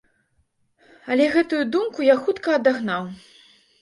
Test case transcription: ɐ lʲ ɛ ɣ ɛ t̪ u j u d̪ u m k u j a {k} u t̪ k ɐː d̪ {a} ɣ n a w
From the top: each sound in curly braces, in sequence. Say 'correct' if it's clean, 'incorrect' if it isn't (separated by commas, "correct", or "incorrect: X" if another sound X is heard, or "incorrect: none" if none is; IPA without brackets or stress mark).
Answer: incorrect: x, correct